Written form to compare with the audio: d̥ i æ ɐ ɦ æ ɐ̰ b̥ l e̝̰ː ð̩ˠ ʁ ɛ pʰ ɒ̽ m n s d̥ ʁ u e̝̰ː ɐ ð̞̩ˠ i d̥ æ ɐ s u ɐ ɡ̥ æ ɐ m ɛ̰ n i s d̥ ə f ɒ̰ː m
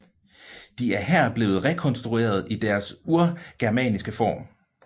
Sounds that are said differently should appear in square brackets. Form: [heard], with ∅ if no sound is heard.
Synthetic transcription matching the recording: d̥ i æ ɐ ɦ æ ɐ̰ b̥ l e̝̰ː ð̩ˠ ʁ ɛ [kʰ] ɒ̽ [∅] n s d̥ ʁ u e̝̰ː ɐ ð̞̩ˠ i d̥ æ ɐ s u ɐ ɡ̥ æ ɐ m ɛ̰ n i s [ɡ̥] ə f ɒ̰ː m